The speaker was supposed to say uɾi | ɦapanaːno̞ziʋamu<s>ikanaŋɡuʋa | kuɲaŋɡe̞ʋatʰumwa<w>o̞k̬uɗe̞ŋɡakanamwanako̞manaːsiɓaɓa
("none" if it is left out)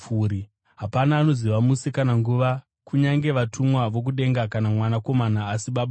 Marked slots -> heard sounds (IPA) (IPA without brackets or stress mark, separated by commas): s, ʋ